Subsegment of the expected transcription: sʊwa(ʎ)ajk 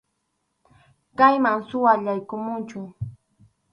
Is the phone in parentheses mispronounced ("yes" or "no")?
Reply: no